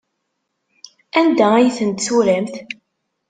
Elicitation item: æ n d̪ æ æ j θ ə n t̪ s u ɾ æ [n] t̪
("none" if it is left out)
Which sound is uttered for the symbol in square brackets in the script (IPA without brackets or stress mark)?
m